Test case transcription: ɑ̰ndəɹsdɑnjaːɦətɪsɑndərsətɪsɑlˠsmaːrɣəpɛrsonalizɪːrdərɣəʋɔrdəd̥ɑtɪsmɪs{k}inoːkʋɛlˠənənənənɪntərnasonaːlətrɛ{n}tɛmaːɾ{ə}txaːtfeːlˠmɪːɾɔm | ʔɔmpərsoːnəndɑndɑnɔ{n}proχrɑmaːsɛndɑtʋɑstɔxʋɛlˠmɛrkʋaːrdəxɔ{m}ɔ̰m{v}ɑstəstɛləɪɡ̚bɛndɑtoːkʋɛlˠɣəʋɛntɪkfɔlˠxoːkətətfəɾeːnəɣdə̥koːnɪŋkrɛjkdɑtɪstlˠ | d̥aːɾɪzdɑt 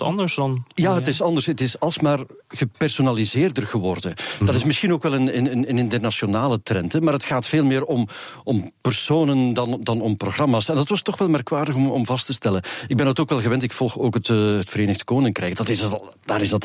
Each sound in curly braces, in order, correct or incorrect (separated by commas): incorrect, correct, correct, incorrect, correct, correct